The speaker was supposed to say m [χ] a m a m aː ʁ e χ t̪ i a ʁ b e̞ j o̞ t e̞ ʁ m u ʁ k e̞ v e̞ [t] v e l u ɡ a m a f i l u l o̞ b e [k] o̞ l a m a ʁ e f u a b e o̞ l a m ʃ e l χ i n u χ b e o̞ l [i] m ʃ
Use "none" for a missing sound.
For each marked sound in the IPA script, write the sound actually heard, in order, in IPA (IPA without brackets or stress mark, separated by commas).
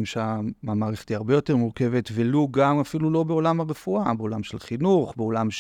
ʃ, t, none, a